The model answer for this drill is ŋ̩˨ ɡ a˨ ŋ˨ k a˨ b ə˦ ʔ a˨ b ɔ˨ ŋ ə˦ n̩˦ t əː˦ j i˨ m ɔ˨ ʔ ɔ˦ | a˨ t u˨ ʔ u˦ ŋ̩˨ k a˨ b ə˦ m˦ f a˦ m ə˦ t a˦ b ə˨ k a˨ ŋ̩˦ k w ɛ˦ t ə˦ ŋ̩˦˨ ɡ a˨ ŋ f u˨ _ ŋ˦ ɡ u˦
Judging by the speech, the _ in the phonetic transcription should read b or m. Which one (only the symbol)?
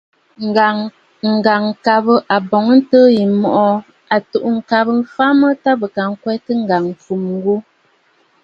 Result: m